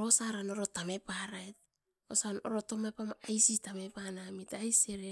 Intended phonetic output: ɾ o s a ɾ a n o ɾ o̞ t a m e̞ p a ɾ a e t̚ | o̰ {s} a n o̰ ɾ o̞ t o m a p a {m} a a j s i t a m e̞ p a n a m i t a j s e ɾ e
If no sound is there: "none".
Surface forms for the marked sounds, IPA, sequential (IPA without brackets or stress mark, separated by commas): s, m